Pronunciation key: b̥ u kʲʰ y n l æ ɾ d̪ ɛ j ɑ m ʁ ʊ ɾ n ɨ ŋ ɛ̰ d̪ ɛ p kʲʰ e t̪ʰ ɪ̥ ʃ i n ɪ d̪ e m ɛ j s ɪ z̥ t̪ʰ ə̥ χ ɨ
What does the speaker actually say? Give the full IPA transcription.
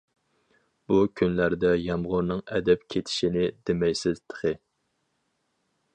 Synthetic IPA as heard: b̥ u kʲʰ y n l æ ɾ d̪ ɛ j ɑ m ʁ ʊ ɾ n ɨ ŋ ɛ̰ d̪ ɛ p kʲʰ e t̪ʰ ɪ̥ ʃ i n ɪ d̪ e m ɛ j s ɪ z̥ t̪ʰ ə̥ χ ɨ